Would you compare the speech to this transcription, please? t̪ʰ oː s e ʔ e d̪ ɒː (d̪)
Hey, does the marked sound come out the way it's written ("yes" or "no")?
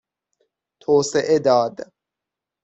yes